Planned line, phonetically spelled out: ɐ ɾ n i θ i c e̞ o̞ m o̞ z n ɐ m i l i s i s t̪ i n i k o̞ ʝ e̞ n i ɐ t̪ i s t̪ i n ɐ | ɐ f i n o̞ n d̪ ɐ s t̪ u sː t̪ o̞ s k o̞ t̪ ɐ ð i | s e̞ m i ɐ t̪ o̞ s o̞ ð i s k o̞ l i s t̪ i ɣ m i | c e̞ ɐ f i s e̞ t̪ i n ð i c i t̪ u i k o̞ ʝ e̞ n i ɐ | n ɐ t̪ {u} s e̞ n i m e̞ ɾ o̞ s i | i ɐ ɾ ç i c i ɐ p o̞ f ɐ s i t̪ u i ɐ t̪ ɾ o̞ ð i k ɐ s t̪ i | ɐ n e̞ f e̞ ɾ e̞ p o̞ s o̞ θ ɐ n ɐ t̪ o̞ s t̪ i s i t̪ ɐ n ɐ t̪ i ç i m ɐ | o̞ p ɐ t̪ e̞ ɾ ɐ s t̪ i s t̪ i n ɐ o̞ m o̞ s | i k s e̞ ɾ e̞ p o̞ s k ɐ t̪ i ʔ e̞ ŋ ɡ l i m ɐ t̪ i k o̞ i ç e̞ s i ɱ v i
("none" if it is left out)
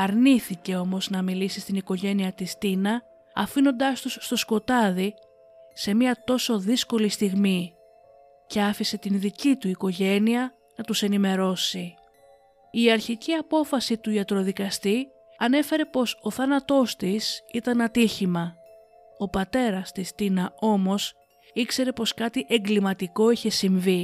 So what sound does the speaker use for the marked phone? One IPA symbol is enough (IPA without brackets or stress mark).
u